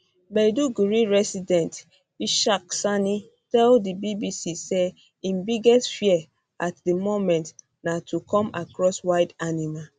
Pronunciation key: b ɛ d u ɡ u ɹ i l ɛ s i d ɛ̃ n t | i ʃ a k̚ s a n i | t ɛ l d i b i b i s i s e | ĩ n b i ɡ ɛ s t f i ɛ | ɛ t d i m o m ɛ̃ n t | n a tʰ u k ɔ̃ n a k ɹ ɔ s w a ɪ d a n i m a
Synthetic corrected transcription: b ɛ d u ɡ u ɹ i ɹ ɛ s i d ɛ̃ n t | i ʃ a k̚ s a n i | t ɛ l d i b i b i s i s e | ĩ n b i ɡ ɛ s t f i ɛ | a t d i m o m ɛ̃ n t | n a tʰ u k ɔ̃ m a k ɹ ɔ s w a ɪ d a n i m a